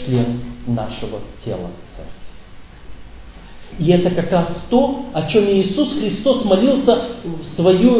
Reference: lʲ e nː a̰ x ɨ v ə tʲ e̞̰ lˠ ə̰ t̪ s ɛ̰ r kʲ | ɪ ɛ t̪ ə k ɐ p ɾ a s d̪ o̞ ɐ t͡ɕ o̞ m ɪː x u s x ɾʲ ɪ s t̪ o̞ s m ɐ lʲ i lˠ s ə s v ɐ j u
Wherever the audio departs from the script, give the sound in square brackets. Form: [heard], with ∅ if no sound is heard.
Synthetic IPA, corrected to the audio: lʲ e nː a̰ [ʂ] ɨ v ə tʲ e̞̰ lˠ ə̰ t̪ s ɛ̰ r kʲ | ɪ ɛ t̪ ə k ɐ [k] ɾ a s [t̪] o̞ ɐ t͡ɕ o̞ m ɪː [s] u s x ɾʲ ɪ s t̪ o̞ s m ɐ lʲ i lˠ s ə s v ɐ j u